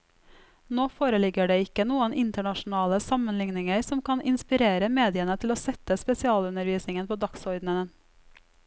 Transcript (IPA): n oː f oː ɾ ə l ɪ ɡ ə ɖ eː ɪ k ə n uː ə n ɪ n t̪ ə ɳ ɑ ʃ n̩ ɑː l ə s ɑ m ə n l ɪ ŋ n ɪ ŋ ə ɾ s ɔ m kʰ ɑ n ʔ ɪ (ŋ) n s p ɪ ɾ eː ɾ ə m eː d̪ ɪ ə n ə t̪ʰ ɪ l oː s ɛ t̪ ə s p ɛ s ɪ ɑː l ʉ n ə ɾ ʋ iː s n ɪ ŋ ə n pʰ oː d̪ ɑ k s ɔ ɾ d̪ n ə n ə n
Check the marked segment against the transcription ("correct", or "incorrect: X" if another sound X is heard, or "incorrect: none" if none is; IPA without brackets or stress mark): incorrect: none